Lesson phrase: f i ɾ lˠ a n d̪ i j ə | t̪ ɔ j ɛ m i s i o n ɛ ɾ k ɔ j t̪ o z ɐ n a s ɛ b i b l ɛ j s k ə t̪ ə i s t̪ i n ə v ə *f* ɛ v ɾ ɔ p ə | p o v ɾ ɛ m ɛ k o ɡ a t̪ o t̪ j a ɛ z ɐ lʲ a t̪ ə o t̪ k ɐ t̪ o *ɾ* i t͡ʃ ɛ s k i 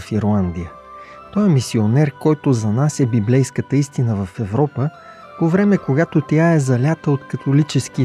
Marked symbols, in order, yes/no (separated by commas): yes, no